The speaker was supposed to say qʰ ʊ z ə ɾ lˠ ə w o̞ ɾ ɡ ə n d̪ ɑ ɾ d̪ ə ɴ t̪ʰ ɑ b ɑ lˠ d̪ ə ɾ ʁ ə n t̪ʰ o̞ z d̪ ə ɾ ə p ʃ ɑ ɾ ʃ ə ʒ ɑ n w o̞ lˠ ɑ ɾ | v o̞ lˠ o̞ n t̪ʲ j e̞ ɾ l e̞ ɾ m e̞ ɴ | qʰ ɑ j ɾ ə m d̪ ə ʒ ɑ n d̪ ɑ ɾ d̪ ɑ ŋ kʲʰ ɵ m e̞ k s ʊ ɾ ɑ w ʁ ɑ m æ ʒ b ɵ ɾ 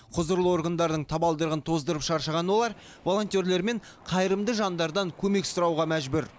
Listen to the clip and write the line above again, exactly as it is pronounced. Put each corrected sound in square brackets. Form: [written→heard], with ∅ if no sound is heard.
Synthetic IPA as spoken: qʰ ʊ z ə ɾ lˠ ə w o̞ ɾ ɡ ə n d̪ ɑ ɾ d̪ ə ɴ t̪ʰ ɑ b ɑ lˠ d̪ ə ɾ ʁ ə n t̪ʰ o̞ z d̪ ə ɾ ə p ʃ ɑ ɾ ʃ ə [ʒ→ʁ] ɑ n w o̞ lˠ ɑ ɾ | v o̞ lˠ o̞ n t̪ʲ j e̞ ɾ l e̞ ɾ m e̞ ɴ | qʰ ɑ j ɾ ə m d̪ ə ʒ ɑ n d̪ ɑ ɾ d̪ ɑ ŋ kʲʰ ɵ m e̞ k s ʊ ɾ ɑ w ʁ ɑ m æ ʒ b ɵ ɾ